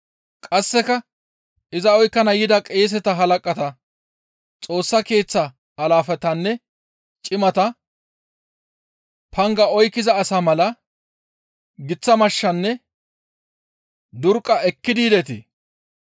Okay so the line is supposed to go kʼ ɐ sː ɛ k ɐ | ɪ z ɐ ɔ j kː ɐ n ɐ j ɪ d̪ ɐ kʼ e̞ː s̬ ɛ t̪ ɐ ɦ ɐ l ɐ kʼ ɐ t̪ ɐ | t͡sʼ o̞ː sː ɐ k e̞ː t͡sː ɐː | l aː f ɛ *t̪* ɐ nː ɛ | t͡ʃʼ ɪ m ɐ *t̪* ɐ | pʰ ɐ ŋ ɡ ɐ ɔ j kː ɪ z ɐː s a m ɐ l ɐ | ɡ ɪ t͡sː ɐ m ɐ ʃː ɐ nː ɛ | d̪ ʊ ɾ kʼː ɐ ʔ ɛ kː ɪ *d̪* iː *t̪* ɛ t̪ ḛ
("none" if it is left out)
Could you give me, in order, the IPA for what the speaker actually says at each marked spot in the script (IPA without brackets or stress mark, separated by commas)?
t̪, t̪, d̪, d̪